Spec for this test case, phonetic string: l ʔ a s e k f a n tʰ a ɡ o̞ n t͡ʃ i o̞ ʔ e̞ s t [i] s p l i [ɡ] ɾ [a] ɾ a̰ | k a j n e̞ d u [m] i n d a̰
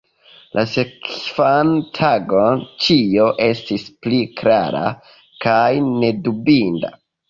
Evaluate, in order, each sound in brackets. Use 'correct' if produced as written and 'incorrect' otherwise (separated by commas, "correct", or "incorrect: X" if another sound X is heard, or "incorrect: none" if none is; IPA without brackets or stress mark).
correct, incorrect: k, correct, incorrect: b